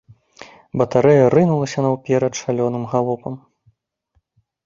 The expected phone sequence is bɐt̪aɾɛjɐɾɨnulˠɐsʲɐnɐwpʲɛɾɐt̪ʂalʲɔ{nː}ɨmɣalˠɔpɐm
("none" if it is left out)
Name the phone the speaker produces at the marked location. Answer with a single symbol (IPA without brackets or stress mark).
n